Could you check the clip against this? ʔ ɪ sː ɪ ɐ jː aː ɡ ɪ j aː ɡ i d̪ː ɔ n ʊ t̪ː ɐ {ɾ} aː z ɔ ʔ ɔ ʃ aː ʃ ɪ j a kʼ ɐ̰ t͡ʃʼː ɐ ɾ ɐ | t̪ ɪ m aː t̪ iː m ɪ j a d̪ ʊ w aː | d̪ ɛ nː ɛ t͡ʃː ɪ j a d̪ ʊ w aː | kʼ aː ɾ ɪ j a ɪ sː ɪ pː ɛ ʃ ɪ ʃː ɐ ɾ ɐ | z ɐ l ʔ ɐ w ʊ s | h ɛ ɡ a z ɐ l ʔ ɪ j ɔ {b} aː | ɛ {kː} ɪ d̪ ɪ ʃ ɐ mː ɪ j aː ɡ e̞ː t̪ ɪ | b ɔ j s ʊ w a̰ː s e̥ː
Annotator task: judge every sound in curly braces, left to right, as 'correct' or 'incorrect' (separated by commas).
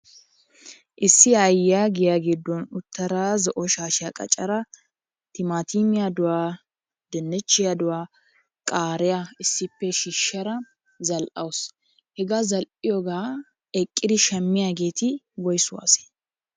correct, incorrect, incorrect